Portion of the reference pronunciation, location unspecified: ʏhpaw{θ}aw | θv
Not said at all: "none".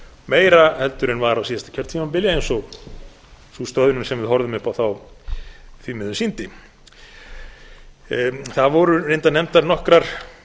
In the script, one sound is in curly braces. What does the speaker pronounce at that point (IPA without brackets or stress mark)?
θ